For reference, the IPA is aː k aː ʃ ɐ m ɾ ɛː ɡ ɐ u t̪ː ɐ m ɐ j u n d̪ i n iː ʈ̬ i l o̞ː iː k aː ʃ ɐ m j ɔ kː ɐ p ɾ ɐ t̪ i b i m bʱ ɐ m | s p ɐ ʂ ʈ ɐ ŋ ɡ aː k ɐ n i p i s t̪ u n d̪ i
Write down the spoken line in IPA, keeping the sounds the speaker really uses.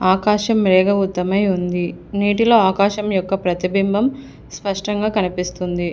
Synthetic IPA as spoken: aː k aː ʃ ɐ m ɾ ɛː ɡ ɐ u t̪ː ɐ m ɐ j u n d̪ i n iː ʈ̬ i l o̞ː aː k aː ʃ ɐ m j ɔ kː ɐ p ɾ ɐ t̪ i b i m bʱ ɐ m | s p ɐ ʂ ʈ ɐ ŋ ɡ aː k ɐ n i p i s t̪ u n d̪ i